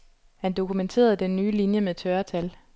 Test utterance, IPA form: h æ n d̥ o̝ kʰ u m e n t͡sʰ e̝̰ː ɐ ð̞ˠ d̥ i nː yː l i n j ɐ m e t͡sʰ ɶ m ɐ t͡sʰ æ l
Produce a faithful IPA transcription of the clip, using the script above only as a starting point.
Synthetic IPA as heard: h æ n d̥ o̝ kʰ u m e n t͡sʰ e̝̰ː ɐ ð̞ˠ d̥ e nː yː l i n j ə m e t͡sʰ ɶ ɐ t͡sʰ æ l